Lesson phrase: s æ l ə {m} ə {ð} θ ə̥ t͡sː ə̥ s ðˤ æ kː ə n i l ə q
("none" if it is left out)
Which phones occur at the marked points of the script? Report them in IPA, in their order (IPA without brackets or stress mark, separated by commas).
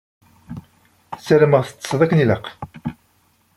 m, ʁ